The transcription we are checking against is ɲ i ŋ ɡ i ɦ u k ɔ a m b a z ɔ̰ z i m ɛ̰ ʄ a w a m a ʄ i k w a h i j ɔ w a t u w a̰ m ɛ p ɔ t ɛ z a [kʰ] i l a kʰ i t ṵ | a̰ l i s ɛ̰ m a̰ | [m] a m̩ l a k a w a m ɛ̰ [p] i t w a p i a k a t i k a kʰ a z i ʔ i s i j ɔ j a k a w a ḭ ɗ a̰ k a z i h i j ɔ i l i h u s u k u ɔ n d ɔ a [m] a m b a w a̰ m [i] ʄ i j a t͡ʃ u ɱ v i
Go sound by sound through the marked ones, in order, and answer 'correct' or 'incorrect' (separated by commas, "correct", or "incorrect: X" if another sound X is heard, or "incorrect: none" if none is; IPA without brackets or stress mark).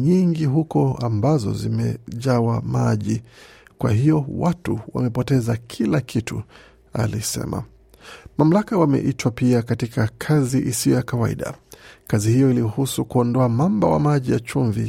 correct, correct, incorrect: ʔ, correct, incorrect: a